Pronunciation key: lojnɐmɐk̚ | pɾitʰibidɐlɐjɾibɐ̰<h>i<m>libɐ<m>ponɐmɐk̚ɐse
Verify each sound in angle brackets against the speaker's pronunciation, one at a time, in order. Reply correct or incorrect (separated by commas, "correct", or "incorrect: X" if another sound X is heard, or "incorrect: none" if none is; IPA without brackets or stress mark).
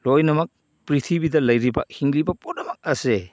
correct, incorrect: ŋ, incorrect: none